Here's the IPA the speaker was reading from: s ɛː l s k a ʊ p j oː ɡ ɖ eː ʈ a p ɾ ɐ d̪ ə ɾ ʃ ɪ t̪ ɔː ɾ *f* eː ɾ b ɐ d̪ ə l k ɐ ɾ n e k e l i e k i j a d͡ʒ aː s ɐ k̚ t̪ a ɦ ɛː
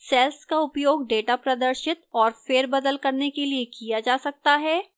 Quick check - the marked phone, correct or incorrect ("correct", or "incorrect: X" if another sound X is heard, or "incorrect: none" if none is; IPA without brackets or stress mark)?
correct